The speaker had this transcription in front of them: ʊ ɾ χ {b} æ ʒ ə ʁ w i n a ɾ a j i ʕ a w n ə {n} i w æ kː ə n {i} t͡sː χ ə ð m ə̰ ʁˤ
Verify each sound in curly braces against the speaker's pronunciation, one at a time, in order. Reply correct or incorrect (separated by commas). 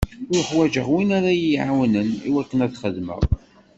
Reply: incorrect, correct, incorrect